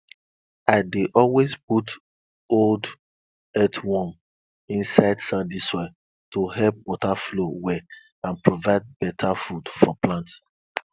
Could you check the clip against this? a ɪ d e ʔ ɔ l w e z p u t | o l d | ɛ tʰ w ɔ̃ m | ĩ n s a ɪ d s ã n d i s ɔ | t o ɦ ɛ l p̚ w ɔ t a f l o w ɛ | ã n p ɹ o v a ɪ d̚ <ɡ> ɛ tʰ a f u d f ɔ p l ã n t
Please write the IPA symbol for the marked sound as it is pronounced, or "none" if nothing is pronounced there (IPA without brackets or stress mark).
b